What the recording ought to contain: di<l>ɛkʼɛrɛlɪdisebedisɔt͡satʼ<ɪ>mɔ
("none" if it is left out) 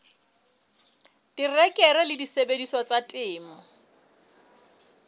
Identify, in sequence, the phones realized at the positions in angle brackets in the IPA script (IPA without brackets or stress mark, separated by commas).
r, ɪː